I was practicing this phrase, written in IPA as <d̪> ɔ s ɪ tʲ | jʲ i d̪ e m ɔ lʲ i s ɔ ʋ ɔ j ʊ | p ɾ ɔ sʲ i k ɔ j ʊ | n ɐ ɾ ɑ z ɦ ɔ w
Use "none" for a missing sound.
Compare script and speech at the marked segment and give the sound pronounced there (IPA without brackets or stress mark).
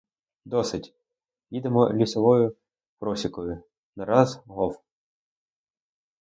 d̪